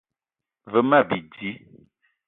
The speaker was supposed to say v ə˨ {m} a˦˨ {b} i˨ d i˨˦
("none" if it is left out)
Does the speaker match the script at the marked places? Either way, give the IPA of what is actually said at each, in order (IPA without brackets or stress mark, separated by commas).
m, b